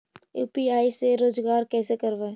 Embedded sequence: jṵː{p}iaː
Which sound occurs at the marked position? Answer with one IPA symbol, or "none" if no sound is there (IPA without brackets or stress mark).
p